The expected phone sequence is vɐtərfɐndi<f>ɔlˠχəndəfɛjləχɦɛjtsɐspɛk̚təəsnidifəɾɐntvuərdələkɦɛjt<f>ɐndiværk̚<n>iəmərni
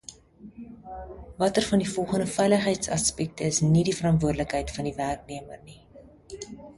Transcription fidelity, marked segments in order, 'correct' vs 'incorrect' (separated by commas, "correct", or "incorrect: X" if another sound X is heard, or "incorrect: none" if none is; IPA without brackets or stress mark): correct, correct, correct